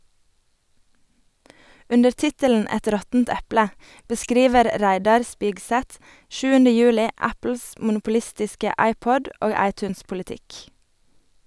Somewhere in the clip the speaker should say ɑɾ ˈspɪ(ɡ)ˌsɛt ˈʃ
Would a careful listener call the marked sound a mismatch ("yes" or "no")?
no